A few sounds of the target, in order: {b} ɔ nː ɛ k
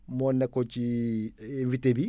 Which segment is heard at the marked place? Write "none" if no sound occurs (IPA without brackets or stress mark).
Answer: m